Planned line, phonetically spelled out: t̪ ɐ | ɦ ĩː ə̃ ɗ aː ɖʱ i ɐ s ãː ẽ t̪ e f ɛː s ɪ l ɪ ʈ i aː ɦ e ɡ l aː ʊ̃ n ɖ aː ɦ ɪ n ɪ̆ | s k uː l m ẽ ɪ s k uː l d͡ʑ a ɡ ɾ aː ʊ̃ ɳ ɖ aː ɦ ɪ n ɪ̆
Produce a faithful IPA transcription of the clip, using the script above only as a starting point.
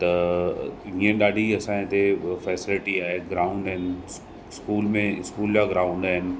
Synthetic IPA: t̪ ɐ | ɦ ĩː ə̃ ɗ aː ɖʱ i ɐ s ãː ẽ t̪ e f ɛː s ɪ l ɪ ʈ i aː ɦ e ɡ ɾ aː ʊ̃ ɳ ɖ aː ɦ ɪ n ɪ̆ | s k uː l m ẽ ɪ s k uː l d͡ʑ a ɡ ɾ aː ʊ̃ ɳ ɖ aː ɦ ɪ n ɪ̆